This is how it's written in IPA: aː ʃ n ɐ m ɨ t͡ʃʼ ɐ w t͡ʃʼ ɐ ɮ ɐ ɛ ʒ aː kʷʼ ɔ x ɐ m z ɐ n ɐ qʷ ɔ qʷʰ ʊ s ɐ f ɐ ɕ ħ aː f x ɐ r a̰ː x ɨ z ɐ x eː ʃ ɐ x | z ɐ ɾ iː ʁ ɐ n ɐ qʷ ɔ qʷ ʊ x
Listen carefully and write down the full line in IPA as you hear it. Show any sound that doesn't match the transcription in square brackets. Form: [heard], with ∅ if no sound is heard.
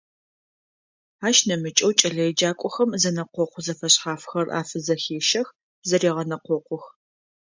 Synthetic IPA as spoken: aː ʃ n ɐ m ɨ t͡ʃʼ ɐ w t͡ʃʼ ɐ ɮ ɐ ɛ [d͡ʒ] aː kʷʼ ɔ x ɐ m z ɐ n ɐ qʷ ɔ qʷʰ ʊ [z] ɐ f ɐ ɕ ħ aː f x ɐ r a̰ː [f] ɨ z ɐ x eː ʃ ɐ x | z ɐ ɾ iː ʁ ɐ n ɐ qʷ ɔ qʷ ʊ x